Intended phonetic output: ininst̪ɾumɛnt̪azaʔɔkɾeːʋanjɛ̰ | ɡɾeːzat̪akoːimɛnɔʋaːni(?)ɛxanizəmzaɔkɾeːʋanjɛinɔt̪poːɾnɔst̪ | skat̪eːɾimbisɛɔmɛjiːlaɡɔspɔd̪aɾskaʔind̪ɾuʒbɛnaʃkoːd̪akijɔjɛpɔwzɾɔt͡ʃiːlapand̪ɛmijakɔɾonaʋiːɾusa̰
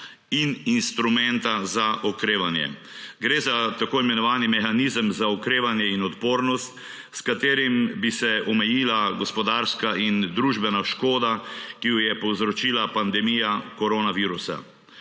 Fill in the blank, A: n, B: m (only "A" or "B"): B